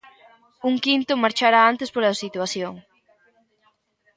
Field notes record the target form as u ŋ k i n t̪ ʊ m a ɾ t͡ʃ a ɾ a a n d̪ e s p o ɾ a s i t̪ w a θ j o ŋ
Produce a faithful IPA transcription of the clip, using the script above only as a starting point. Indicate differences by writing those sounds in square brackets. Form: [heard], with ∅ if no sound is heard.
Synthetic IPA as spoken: u ŋ k i n t̪ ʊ m a ɾ t͡ʃ a ɾ a a n [t̪] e s p o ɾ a s i t̪ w a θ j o ŋ